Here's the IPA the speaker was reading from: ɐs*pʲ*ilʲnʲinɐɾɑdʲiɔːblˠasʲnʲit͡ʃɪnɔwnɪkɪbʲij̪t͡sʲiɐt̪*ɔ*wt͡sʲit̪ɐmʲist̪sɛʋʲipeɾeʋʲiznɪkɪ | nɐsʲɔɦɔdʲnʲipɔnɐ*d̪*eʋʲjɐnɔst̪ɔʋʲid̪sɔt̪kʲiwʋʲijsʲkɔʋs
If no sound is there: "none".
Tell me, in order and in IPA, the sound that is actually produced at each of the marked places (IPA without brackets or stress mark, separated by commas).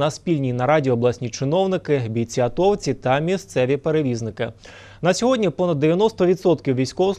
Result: pʲ, ɔ, d̪ː